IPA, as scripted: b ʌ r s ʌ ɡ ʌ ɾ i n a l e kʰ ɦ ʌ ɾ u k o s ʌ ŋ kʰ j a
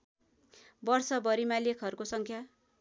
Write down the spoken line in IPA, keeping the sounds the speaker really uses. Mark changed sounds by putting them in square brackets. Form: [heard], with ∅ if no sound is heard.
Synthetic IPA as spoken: b ʌ r s ʌ [b] ʌ ɾ i [m] a l e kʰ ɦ ʌ ɾ u k o s ʌ ŋ kʰ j a